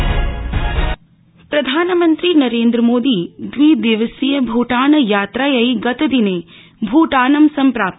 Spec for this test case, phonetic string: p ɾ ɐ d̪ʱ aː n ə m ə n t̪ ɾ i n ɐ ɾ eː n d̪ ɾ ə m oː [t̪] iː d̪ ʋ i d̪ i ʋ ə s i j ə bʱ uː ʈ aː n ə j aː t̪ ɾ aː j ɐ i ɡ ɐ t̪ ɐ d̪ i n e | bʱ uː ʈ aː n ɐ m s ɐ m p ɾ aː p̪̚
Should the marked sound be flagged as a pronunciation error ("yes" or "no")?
yes